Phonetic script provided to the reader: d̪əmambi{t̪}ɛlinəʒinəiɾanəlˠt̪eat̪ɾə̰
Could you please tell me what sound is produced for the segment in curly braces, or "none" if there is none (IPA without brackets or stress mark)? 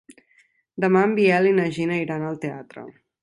none